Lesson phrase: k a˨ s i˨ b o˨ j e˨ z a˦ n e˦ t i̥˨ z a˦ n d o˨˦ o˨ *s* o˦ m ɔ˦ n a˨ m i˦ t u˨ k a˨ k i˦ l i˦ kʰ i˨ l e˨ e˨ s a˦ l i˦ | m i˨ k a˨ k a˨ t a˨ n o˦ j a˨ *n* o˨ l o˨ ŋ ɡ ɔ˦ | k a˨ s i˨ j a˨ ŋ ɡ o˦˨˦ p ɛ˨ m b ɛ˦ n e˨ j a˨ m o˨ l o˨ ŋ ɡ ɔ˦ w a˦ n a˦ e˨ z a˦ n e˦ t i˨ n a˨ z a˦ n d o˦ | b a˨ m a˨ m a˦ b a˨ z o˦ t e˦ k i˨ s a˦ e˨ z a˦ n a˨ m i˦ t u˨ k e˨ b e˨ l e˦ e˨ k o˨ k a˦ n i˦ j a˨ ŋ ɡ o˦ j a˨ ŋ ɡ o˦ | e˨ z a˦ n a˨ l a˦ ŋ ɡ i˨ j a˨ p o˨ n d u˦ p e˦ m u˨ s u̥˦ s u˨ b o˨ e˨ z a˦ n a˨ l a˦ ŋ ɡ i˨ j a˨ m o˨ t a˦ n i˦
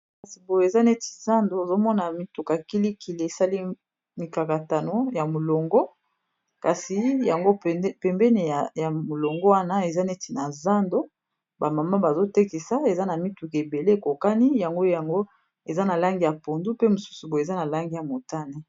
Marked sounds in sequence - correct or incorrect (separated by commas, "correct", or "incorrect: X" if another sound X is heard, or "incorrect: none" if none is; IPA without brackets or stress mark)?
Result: incorrect: z, incorrect: m